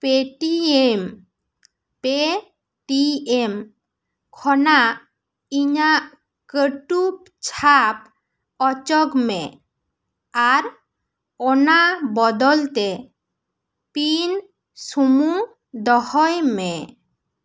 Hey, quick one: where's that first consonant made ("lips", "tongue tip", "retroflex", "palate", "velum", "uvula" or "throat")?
lips